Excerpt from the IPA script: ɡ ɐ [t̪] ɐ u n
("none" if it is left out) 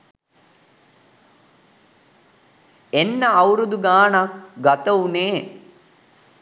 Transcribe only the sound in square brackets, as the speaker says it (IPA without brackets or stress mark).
t̪